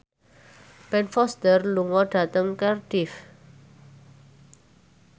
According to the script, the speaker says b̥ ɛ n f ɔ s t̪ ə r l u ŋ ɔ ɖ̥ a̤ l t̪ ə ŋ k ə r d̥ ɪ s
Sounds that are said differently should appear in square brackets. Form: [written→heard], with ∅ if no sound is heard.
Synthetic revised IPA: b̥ ɛ n f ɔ s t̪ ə r l u ŋ ɔ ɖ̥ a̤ [l→∅] t̪ ə ŋ k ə r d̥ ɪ [s→f]